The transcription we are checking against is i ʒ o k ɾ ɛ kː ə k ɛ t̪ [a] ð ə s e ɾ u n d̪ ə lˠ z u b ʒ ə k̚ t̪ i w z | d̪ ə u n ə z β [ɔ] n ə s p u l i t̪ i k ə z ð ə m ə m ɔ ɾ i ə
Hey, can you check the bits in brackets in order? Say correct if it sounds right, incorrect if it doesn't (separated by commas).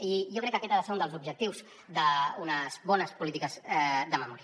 correct, correct